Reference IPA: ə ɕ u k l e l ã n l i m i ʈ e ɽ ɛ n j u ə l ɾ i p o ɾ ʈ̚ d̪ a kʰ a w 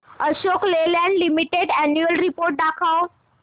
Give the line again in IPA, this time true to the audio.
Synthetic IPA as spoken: ə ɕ o k l e l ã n l i m i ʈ e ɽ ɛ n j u ə l ɾ i p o ɾ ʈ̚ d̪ a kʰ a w